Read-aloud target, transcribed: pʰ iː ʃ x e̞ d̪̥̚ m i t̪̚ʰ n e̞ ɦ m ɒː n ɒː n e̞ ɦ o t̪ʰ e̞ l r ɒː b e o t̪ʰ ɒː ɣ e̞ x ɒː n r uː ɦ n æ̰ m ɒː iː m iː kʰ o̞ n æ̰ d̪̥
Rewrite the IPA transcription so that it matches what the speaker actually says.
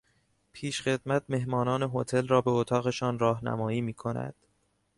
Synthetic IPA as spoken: pʰ iː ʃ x e̞ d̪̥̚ m æ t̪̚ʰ m e̞ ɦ m ɒː n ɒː n e̞ ɦ o t̪ʰ e̞ l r ɒː b e o t̪ʰ ɒː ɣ e̞ ʃ ɒː n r ɒː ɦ n æ̰ m ɒː iː m iː kʰ o̞ n æ̰ d̪̥